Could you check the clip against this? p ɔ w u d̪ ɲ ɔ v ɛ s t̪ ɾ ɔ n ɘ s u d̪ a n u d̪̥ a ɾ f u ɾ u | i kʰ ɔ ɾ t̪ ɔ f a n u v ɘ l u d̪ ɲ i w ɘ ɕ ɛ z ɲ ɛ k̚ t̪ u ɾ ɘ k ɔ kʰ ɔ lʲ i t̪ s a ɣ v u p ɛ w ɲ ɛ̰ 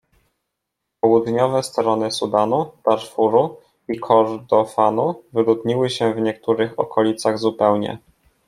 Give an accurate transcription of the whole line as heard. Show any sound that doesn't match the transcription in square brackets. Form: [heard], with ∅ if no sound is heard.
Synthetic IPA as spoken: p ɔ w u d̪ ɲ ɔ v ɛ s t̪ ɾ ɔ n ɘ s u d̪ a n u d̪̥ a ɾ f u ɾ u | i kʰ ɔ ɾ [d̪] ɔ f a n u v ɘ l u d̪ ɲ i w ɘ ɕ ɛ [v] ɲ ɛ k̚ t̪ u ɾ ɘ [x] ɔ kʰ ɔ lʲ i t̪ s a ɣ [z] u p ɛ w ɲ ɛ̰

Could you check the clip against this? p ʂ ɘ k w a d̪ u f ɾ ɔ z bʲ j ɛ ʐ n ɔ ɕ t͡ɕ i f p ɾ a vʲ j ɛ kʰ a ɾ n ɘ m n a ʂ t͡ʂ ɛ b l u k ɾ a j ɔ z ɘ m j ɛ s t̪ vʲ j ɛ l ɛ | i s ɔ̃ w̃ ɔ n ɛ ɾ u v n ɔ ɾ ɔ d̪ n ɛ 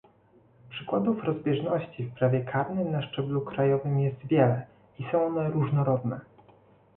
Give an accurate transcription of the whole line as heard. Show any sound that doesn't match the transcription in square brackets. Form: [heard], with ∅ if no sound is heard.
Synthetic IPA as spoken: p ʂ ɘ k w a d̪ u f ɾ ɔ z bʲ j ɛ ʐ n ɔ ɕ t͡ɕ i f p ɾ a vʲ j ɛ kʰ a ɾ n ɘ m n a ʂ t͡ʂ ɛ b l u k ɾ a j ɔ [v] ɘ m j ɛ s t̪ vʲ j ɛ l ɛ | i s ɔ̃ w̃ ɔ n ɛ ɾ u [ʐ] n ɔ ɾ ɔ d̪ n ɛ

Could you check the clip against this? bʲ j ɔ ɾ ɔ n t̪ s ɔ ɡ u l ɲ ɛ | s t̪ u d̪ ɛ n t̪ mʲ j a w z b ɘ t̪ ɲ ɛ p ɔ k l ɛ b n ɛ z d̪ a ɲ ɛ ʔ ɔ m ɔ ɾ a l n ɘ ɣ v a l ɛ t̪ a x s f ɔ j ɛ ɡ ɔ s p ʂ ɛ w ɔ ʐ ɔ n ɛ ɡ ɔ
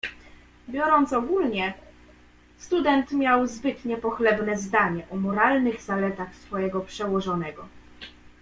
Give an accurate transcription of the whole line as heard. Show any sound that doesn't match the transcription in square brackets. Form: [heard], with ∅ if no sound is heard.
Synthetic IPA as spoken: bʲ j ɔ ɾ ɔ n t̪ s ɔ ɡ u l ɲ ɛ | s t̪ u d̪ ɛ n t̪ mʲ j a w z b ɘ t̪ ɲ ɛ p ɔ [x] l ɛ b n ɛ z d̪ a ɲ ɛ ʔ ɔ m ɔ ɾ a l n ɘ ɣ [z] a l ɛ t̪ a x s f ɔ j ɛ ɡ ɔ [∅] p ʂ ɛ w ɔ ʐ ɔ n ɛ ɡ ɔ

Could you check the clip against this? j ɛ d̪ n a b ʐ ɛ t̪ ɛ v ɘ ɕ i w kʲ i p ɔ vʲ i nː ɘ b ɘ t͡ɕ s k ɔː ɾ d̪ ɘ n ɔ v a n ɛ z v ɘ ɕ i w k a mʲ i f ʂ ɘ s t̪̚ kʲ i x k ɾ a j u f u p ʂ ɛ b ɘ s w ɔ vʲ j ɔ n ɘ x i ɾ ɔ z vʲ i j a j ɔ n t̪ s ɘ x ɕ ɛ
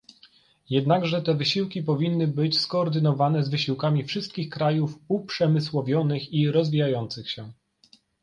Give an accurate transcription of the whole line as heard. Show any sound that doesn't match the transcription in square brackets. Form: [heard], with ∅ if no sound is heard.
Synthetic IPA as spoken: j ɛ d̪ n a [ɡ] ʐ ɛ t̪ ɛ v ɘ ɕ i w kʲ i p ɔ vʲ i nː ɘ b ɘ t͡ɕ s k ɔː ɾ d̪ ɘ n ɔ v a n ɛ z v ɘ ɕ i w k a mʲ i f ʂ ɘ s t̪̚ kʲ i x k ɾ a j u f u p ʂ ɛ [m] ɘ s w ɔ vʲ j ɔ n ɘ x i ɾ ɔ z vʲ i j a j ɔ n t̪ s ɘ x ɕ ɛ

